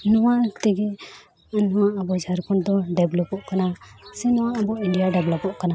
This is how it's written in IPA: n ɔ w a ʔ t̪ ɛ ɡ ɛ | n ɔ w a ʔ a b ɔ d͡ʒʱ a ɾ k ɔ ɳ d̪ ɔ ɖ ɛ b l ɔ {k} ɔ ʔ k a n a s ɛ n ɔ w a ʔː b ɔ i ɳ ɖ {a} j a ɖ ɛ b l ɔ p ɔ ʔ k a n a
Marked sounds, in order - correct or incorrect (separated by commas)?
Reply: incorrect, incorrect